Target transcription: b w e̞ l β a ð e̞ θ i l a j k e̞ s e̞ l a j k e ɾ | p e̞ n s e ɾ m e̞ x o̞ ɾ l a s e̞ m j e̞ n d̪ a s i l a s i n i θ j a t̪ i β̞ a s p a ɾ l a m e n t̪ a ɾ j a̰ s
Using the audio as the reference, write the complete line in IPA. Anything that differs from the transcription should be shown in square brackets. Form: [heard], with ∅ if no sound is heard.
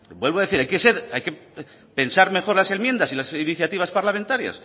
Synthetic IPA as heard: b w e̞ l β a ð e̞ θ i [ɾ] a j k e̞ s e̞ [ɾ] a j k e [∅] | p e̞ n s [a] ɾ m e̞ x o̞ ɾ l a s e̞ m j e̞ n d̪ a s i l a s i n i θ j a t̪ i β̞ a s p a ɾ l a m e n t̪ a ɾ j a̰ s